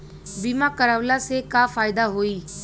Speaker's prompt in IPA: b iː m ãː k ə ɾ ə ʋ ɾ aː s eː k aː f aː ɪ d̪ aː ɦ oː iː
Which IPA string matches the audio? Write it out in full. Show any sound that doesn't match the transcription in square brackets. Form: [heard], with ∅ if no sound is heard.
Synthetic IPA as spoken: b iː m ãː k ə ɾ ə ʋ [l] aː s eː k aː f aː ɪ d̪ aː ɦ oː iː